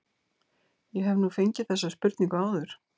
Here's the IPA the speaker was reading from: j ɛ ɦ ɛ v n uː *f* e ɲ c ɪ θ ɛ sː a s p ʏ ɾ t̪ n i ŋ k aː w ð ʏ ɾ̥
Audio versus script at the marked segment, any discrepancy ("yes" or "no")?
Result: no